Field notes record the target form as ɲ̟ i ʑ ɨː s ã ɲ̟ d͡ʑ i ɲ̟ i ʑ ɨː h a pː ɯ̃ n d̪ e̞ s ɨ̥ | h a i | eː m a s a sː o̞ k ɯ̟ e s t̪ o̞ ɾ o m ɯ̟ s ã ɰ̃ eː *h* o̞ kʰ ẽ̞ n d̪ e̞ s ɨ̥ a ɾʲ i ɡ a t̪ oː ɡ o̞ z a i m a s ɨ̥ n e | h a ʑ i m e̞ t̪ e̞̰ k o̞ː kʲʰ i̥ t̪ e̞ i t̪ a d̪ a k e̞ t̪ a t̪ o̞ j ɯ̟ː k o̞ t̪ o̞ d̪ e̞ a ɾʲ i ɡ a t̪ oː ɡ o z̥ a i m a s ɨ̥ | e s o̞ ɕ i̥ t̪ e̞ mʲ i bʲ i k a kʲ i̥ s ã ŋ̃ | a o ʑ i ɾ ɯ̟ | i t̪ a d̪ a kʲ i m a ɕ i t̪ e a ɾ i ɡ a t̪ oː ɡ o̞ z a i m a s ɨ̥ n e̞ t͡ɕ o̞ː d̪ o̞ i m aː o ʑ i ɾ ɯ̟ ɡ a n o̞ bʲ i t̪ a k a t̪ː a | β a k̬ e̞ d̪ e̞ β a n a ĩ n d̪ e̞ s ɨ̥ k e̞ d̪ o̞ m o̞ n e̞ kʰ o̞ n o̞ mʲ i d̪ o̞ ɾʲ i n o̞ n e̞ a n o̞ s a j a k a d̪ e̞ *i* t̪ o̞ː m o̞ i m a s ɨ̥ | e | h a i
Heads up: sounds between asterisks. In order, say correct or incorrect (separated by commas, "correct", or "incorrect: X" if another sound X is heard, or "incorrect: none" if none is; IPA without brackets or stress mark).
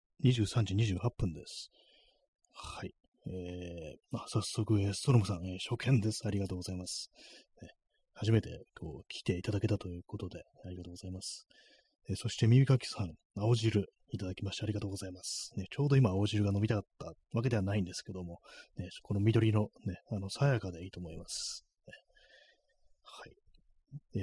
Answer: incorrect: ɕ, incorrect: iː